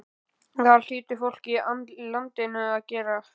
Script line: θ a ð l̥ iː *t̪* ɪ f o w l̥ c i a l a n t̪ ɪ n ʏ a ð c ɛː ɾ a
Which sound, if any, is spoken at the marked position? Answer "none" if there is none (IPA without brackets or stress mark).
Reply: t̪